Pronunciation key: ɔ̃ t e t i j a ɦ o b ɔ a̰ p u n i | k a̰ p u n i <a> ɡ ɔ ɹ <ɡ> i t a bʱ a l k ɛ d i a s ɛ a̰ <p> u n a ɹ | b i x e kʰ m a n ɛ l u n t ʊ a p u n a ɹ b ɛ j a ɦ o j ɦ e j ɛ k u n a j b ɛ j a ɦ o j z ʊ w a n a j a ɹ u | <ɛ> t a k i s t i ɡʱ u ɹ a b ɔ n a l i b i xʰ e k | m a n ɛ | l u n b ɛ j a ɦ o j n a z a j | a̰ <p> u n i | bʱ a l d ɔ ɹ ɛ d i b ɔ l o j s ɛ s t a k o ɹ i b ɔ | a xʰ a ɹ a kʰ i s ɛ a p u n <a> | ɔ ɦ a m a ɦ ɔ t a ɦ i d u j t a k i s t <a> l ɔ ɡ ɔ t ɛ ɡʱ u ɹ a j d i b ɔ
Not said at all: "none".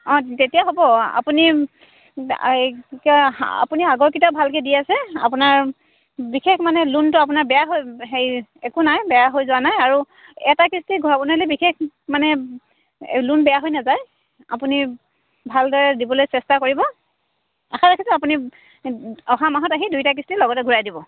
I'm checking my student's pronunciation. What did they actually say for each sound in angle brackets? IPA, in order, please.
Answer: a, k, p, ɛ, p, i, i

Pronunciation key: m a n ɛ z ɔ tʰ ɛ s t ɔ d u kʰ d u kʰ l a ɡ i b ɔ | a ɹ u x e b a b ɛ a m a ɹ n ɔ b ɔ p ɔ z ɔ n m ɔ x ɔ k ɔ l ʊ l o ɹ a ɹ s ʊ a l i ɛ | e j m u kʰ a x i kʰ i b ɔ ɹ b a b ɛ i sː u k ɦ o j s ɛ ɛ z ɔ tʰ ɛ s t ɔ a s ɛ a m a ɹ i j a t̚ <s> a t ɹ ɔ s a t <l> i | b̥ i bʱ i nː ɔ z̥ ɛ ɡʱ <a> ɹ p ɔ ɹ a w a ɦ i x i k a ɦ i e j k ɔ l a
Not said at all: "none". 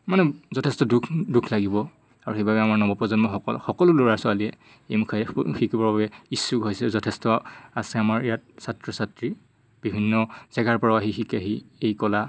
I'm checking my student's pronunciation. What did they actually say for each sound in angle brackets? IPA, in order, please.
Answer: s, ɹ, a

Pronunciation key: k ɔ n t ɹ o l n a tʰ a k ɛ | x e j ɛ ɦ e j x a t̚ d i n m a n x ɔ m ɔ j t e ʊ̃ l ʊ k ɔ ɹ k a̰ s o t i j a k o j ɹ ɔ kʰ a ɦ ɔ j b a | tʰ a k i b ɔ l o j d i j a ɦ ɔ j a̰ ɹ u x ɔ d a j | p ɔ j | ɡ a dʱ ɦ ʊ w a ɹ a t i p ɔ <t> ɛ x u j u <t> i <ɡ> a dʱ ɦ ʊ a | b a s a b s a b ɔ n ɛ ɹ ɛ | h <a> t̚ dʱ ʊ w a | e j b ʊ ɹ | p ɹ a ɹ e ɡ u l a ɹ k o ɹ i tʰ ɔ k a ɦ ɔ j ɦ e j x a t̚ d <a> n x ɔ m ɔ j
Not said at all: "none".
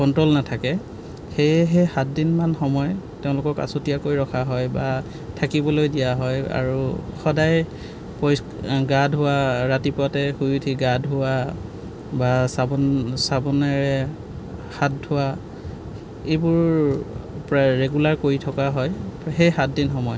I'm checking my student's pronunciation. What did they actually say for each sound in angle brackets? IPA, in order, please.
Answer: t, tʰ, ɡ, a, i

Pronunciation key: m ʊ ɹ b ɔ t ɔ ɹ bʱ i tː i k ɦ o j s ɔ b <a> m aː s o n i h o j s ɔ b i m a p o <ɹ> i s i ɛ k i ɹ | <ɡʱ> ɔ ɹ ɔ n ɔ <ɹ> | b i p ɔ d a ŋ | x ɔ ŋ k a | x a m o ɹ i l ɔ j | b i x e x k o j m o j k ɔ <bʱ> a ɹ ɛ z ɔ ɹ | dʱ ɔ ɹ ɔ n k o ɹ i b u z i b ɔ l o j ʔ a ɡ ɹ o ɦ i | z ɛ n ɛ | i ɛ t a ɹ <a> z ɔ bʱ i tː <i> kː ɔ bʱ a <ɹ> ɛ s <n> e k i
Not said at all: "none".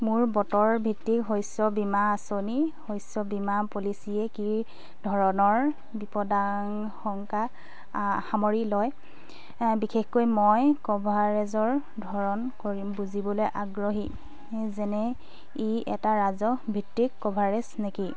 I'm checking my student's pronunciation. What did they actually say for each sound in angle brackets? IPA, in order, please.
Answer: i, l, dʱ, ɹ, bʱ, a, i, ɹ, n

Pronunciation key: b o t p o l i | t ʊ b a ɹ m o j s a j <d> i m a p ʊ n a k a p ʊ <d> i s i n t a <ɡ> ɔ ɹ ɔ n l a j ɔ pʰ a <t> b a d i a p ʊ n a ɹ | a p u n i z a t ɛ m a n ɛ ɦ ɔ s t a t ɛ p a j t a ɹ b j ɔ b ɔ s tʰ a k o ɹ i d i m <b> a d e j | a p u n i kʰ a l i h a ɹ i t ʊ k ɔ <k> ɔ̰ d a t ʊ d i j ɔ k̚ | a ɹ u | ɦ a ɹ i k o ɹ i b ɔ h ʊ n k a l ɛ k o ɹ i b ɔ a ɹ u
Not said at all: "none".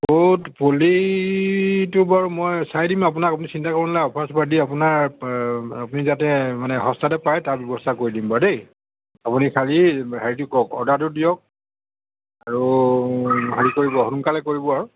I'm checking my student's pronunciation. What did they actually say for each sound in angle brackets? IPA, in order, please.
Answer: d, n, k, s, b, k

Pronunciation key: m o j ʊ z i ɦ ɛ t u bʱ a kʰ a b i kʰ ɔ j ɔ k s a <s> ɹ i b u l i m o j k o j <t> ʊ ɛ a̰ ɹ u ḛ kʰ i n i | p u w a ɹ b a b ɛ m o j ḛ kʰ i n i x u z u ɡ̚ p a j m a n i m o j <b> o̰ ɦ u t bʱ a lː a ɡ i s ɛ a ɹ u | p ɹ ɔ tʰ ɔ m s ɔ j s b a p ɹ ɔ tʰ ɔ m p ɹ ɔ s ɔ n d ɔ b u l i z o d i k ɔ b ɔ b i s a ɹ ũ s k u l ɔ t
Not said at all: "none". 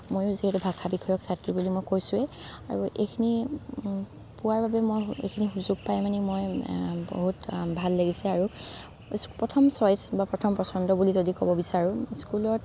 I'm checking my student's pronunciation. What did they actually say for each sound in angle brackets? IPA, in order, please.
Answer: t, s, b

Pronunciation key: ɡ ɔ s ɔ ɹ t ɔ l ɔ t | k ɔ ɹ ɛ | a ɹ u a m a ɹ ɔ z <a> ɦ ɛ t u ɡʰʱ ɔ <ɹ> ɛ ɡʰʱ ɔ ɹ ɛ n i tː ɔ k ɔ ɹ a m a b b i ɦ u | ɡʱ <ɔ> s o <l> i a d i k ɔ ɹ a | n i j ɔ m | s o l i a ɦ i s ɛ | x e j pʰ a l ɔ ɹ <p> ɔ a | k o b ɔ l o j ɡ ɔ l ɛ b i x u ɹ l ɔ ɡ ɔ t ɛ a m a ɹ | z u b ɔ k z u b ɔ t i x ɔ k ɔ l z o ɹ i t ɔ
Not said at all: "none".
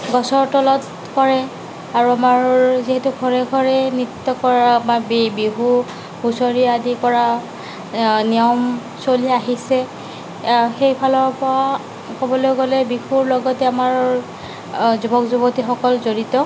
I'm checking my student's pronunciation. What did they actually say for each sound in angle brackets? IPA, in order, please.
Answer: i, ɹ, u, ɹ, p

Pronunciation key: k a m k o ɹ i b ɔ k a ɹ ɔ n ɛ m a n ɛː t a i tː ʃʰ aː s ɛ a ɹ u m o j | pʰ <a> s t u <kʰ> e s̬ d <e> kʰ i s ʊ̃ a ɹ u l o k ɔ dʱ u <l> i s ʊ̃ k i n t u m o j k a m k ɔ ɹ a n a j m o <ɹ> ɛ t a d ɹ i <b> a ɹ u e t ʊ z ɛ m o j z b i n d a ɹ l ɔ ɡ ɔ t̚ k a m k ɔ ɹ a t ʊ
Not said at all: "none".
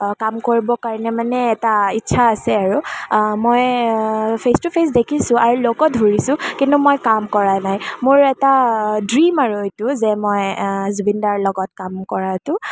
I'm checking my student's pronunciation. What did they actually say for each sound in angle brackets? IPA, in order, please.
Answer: e, pʰ, e, ɹ, ɹ, m

